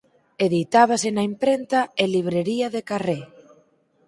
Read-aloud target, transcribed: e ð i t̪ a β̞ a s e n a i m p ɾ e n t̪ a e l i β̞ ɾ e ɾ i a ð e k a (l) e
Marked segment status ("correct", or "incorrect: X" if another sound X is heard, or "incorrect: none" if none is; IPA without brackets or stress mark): incorrect: r